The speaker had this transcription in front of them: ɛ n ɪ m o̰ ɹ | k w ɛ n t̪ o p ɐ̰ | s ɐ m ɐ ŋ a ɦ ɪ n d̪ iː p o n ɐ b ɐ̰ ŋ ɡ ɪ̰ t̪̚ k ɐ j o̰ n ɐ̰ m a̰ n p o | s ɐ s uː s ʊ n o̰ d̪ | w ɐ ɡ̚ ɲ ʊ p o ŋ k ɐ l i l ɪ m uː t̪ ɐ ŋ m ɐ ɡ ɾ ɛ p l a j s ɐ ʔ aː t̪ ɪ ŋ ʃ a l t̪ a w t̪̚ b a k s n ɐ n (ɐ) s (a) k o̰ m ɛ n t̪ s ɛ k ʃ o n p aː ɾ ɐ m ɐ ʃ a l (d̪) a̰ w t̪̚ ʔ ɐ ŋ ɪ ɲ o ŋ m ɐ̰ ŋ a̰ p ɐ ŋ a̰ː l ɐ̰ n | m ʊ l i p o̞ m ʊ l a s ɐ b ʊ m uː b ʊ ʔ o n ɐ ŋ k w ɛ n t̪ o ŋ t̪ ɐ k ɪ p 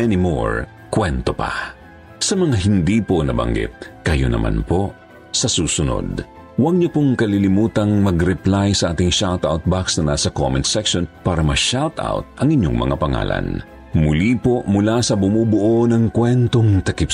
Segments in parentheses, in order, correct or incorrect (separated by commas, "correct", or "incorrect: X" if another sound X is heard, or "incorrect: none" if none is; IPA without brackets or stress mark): incorrect: a, incorrect: ɐ, incorrect: t̪